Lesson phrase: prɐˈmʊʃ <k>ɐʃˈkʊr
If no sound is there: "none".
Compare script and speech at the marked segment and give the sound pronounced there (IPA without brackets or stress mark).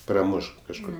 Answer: k